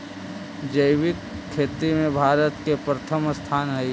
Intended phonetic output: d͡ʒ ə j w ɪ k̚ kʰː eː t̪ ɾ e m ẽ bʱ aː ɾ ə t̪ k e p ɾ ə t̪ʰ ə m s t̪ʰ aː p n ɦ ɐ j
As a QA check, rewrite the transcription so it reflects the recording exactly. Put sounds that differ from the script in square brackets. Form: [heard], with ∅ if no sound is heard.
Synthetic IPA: d͡ʒ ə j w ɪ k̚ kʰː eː t̪ ɾ [i] m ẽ bʱ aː ɾ ə t̪ k e p ɾ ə t̪ʰ ə m s t̪ʰ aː [∅] n ɦ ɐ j